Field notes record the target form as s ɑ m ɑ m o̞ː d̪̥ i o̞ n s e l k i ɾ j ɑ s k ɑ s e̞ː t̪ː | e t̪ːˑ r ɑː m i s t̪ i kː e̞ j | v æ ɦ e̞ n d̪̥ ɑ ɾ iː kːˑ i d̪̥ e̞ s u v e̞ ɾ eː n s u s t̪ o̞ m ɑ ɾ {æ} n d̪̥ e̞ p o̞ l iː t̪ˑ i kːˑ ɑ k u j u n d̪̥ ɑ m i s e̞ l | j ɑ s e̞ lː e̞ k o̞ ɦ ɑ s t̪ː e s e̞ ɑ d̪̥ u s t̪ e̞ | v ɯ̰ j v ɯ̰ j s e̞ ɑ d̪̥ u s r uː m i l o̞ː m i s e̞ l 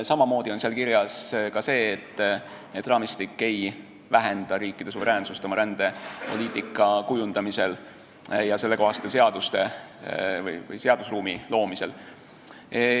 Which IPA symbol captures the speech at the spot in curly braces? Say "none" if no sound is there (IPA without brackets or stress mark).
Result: æ